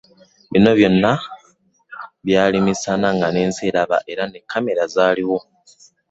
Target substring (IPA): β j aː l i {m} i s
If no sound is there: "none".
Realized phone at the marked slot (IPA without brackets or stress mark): m